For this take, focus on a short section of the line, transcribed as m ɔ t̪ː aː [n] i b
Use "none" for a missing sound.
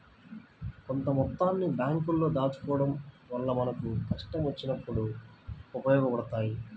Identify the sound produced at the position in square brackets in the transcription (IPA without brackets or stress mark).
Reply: nː